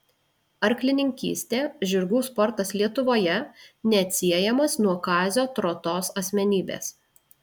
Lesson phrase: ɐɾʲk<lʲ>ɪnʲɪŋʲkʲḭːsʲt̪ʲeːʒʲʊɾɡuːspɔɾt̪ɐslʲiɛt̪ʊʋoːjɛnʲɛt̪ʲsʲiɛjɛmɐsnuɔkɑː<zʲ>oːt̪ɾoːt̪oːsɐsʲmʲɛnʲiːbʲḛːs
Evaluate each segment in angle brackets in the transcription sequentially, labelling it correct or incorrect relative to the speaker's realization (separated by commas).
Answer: correct, correct